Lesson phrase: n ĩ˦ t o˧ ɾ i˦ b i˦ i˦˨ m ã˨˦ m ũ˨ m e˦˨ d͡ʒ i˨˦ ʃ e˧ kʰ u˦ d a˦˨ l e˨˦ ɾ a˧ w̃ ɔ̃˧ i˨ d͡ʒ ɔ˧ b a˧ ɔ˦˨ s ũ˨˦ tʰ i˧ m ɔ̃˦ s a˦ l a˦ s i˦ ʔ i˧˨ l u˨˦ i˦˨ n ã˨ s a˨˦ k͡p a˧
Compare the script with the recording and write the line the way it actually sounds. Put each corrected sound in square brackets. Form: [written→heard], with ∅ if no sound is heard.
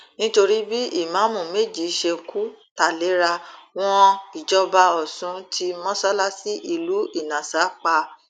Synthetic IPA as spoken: n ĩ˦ t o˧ ɾ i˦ b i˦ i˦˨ m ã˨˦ m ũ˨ m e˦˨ d͡ʒ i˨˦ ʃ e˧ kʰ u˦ [d→t] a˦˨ l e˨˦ ɾ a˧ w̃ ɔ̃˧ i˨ d͡ʒ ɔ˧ b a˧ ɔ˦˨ s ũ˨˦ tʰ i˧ m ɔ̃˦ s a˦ l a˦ s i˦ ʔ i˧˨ l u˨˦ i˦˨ n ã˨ s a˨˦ k͡p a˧

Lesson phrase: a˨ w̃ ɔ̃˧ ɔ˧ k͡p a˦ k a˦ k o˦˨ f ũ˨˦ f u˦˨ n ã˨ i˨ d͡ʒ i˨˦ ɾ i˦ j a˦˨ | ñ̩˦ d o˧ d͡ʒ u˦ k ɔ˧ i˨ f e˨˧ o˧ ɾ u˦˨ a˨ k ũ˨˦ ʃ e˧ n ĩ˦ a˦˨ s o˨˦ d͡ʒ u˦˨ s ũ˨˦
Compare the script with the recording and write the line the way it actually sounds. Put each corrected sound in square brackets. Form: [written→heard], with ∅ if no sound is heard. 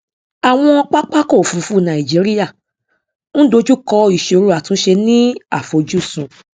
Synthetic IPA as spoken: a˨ w̃ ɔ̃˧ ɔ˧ k͡p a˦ [k→k͡p] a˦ k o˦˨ f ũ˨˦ f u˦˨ n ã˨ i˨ d͡ʒ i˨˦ ɾ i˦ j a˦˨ | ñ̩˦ d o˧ d͡ʒ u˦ k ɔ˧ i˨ [f→ʃ] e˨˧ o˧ ɾ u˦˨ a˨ [k→t] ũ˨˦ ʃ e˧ n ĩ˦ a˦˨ [s→f] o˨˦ d͡ʒ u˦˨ s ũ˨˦

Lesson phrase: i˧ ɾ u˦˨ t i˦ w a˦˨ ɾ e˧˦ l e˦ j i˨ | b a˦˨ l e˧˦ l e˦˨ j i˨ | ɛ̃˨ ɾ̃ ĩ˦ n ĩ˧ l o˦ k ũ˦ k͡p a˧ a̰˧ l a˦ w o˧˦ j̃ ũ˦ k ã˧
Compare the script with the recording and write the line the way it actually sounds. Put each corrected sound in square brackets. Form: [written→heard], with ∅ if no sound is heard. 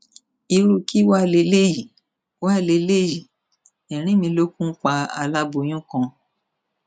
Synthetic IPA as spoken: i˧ ɾ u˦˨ [t→k] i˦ w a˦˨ [ɾ→l] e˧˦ l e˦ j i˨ | [b→w] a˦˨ l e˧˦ l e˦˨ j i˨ | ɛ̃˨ ɾ̃ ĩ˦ [n→m] ĩ˧ l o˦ k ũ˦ k͡p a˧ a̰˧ l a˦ [w→b] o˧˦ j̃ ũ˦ k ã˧

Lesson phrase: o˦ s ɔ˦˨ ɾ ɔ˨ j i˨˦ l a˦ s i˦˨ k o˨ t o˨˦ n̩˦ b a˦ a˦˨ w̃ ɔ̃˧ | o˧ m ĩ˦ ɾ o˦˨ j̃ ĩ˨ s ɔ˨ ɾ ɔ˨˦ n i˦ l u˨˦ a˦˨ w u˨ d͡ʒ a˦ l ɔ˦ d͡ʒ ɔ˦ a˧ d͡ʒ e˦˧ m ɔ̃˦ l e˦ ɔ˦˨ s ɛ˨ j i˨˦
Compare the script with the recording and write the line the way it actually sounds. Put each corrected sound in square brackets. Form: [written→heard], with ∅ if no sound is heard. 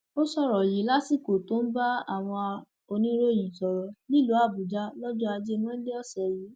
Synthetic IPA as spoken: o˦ s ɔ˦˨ ɾ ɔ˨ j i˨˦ l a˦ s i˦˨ k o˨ t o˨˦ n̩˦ b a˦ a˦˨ w̃ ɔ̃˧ | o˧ [m→n] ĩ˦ ɾ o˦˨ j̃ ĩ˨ s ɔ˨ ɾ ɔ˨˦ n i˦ l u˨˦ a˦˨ [w→b] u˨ d͡ʒ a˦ l ɔ˦ d͡ʒ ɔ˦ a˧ d͡ʒ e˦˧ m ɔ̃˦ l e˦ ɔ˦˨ s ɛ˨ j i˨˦

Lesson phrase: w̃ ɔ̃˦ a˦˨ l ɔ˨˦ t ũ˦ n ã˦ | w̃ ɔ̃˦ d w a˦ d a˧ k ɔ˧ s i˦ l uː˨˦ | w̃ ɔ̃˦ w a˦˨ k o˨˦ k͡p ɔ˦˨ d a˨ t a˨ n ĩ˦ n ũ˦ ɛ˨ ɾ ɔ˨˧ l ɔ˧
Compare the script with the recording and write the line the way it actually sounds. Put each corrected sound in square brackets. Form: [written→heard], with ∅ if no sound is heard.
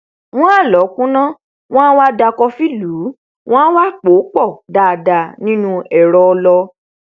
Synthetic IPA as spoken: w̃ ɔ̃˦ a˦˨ l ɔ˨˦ [t→k] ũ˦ n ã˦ | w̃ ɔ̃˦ [d→∅] w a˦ d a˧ k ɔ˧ [s→f] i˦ l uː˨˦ | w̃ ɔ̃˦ w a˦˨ [k→k͡p] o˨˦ k͡p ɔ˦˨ d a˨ [t→d] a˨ n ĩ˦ n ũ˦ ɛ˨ ɾ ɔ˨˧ l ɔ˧

